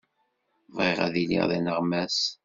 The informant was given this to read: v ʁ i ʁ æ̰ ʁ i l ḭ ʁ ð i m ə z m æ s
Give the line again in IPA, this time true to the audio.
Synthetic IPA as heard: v ʁ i ʁ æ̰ ð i l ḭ ʁ ð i n ə ʁ m æ s